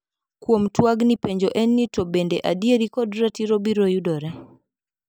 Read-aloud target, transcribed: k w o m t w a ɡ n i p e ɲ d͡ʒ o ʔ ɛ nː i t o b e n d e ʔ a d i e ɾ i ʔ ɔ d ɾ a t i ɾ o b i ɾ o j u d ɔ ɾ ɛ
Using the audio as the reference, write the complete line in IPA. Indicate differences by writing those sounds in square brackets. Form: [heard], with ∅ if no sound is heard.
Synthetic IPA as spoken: k w o m t w a ɡ n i p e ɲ d͡ʒ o ʔ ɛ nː i t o b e n d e ʔ a d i e ɾ i [k] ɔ d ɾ a t i ɾ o b i ɾ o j u d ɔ ɾ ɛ